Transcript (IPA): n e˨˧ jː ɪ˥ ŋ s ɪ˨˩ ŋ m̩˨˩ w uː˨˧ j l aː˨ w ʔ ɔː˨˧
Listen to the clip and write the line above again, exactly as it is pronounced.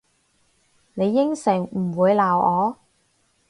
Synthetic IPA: n e˨˧ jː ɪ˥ ŋ s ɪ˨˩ ŋ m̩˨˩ w uː˨˧ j l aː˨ w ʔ ɔː˨˧